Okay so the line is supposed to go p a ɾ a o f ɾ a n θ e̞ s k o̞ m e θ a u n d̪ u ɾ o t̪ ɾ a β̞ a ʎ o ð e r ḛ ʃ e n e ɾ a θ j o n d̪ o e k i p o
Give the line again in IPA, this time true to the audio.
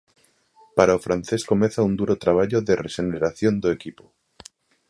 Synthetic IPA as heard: p a ɾ a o f ɾ a n θ e̞ s k o̞ m e θ a u n d̪ u ɾ o t̪ ɾ a β̞ a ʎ o ð e r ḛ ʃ e n e ɾ a θ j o n d̪ o e k i p o